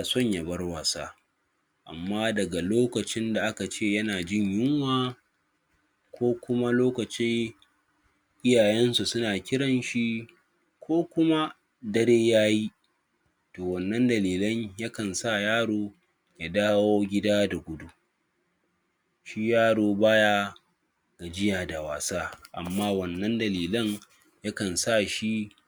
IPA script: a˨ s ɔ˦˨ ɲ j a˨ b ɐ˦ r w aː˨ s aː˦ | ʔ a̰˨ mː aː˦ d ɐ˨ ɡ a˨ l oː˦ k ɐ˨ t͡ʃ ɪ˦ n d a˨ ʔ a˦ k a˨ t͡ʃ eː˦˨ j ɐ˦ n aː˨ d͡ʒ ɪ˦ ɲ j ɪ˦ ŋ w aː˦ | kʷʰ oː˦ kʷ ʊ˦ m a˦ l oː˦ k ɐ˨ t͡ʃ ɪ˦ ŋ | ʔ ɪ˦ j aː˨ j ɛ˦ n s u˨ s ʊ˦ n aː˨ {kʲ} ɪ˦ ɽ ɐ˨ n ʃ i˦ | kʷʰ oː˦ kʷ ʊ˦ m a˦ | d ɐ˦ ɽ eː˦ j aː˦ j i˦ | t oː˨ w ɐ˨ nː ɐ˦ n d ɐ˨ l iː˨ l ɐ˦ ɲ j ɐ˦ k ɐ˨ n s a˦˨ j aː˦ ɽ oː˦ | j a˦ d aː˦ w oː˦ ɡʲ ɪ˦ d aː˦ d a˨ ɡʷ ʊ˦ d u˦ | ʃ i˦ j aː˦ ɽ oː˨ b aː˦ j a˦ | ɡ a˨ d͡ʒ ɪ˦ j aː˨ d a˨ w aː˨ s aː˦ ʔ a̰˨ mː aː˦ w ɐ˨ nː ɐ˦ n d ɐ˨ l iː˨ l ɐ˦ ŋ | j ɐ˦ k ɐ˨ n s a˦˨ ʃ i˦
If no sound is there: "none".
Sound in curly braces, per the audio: kʲ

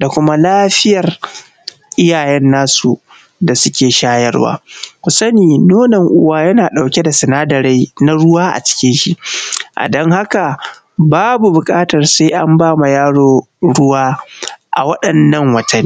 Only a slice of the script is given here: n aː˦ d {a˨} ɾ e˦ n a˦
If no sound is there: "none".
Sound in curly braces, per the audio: ɐ˨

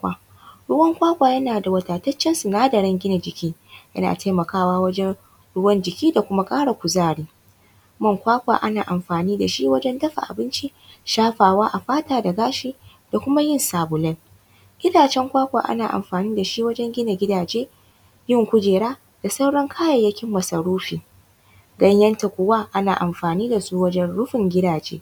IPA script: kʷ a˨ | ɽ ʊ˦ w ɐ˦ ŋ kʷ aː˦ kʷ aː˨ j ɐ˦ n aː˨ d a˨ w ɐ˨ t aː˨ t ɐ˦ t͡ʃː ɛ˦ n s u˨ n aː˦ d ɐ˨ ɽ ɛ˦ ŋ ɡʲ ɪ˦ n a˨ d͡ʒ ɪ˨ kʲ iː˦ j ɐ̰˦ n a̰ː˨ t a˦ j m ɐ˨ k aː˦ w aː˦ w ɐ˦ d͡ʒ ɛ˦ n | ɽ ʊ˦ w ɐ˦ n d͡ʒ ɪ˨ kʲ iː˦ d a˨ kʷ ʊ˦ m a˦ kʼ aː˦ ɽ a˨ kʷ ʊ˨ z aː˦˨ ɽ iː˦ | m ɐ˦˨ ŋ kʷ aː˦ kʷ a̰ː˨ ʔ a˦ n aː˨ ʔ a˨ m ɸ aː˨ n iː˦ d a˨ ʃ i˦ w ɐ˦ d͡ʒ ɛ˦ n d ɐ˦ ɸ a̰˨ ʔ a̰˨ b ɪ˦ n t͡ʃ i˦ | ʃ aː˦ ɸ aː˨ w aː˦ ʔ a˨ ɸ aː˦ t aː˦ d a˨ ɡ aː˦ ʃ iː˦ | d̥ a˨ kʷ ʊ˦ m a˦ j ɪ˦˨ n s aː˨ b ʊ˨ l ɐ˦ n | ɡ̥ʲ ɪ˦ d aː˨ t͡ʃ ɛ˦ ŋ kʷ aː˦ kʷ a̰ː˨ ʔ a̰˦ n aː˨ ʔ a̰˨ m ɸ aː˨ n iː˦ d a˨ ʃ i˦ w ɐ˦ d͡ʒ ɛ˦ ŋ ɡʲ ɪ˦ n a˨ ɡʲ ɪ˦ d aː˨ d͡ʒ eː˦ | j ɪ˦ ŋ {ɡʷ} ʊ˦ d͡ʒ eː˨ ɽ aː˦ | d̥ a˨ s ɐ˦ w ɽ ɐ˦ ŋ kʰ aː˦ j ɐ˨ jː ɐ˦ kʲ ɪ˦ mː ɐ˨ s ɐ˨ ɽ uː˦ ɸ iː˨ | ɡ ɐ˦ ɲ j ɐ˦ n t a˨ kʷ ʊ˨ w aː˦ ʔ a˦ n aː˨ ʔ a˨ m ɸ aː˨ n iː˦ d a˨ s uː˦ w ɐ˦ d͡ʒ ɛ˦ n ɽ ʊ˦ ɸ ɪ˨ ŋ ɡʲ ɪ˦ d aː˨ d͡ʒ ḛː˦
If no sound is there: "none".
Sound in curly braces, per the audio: kʷ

